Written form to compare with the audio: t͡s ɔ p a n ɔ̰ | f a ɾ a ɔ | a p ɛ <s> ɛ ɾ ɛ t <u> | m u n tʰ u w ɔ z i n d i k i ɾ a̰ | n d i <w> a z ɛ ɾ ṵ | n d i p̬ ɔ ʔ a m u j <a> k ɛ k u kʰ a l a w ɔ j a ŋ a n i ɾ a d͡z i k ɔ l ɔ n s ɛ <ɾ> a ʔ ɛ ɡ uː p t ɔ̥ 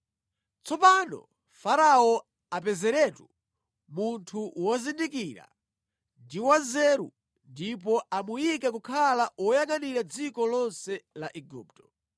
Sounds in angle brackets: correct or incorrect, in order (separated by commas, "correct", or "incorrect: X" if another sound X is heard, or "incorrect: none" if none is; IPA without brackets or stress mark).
incorrect: z, correct, correct, incorrect: i, incorrect: l